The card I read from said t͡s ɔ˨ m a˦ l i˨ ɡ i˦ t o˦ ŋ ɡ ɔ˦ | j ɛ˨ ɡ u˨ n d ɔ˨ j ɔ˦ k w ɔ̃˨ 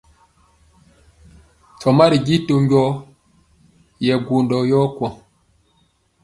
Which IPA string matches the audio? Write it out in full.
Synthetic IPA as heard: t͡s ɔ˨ m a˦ ɾ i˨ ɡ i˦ t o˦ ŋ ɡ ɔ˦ | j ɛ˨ ɡ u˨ n d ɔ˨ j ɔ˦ k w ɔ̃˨